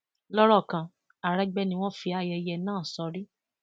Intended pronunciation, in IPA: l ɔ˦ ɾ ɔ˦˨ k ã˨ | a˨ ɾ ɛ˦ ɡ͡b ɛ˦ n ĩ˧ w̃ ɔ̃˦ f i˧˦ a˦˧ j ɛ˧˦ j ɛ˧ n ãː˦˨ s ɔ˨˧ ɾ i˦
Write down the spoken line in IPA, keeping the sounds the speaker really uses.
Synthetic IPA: l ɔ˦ ɾ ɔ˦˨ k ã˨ | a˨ ɾ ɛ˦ ɡ͡b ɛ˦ n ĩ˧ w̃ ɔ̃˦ f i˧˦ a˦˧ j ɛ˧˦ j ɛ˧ n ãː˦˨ s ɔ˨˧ ɾ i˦